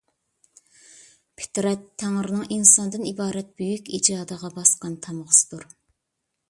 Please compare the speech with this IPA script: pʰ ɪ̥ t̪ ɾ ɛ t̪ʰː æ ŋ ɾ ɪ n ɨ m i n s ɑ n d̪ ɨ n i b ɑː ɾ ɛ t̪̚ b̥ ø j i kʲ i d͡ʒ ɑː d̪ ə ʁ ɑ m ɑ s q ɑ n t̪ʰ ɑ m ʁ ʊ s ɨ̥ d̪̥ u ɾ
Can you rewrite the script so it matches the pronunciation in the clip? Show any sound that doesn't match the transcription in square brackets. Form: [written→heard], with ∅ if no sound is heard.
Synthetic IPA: pʰ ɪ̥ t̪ ɾ ɛ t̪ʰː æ ŋ ɾ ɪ n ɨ [m→ŋ] i n s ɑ n d̪ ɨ n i b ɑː ɾ ɛ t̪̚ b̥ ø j [i→y] kʲ i d͡ʒ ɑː d̪ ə ʁ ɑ [m→b] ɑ s q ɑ n t̪ʰ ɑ m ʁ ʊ s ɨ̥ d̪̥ u ɾ

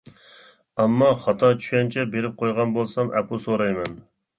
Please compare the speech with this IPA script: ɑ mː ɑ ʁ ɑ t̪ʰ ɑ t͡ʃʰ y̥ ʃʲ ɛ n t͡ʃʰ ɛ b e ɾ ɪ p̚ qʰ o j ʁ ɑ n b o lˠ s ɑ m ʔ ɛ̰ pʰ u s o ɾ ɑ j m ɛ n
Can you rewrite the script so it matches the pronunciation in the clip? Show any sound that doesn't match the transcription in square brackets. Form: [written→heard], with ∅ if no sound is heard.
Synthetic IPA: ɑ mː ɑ [ʁ→χ] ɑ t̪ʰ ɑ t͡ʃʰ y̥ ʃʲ ɛ n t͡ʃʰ ɛ b e ɾ ɪ p̚ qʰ o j ʁ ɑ n b o lˠ s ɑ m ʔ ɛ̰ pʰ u s o ɾ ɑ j m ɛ n

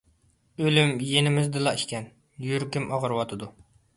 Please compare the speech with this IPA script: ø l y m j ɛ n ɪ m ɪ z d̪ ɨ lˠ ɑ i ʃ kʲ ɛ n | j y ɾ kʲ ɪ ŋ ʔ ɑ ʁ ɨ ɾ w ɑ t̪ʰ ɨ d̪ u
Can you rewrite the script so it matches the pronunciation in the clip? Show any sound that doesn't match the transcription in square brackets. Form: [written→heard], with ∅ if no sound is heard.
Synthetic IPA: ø l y m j [ɛ→e] n ɪ m ɪ z d̪ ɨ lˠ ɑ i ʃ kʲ ɛ n | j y ɾ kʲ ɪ [ŋ→m] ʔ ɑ ʁ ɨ ɾ w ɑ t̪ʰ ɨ d̪ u

